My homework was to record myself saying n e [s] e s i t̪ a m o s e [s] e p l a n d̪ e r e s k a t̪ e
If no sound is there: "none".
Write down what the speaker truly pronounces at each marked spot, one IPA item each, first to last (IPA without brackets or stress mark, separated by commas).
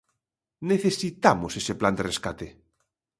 θ, s